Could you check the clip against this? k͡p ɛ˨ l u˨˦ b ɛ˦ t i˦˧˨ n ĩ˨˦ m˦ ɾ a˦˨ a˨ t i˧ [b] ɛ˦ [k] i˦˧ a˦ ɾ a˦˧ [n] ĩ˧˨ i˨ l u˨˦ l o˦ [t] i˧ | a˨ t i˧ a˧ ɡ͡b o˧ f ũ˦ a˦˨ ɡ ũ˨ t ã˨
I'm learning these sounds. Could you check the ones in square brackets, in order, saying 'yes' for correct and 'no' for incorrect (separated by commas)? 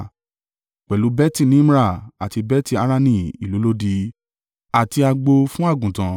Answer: yes, no, yes, no